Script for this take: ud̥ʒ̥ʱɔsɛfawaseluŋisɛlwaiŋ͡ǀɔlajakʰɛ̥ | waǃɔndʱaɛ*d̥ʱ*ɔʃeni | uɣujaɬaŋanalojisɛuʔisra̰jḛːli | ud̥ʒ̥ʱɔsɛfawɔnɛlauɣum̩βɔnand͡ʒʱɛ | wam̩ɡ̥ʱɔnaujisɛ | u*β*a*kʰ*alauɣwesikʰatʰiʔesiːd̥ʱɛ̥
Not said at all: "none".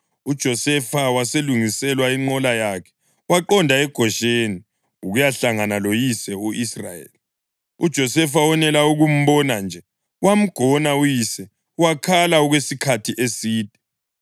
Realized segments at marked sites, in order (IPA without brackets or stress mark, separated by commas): ɡ̥ʱ, w, kʰ